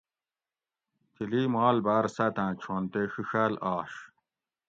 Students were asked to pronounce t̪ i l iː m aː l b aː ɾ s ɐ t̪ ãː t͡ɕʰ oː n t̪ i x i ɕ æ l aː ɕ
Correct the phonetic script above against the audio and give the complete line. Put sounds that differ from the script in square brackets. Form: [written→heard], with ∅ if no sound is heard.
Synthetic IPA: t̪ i l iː m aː l b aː ɾ s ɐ t̪ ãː t͡ɕʰ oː n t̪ [i→e] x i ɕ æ l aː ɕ